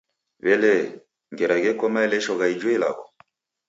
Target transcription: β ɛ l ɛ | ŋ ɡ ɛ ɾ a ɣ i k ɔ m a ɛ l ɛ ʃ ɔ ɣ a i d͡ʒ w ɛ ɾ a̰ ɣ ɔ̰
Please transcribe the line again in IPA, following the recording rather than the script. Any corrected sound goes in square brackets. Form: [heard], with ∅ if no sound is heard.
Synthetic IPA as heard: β ɛ l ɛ | ŋ ɡ ɛ ɾ a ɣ [ɛ] k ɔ m a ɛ l ɛ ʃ ɔ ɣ a i d͡ʒ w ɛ [l] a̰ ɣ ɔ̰